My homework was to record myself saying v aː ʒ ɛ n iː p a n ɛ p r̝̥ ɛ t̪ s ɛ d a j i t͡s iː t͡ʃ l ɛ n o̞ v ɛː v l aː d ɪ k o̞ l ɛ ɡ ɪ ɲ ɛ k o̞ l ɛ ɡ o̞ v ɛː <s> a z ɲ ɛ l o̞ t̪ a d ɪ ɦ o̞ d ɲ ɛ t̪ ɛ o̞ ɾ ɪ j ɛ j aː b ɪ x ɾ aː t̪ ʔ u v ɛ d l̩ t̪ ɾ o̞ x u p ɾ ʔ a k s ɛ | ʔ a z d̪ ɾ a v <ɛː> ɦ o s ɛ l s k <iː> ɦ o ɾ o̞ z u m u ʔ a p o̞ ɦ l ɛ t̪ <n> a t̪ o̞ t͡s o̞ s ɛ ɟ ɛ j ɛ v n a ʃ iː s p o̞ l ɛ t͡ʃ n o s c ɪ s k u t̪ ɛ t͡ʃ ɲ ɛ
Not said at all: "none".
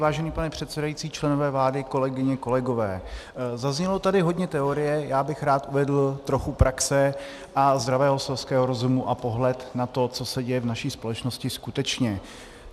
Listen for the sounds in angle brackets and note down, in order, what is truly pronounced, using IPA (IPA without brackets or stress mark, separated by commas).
z, ɛː, ɛː, n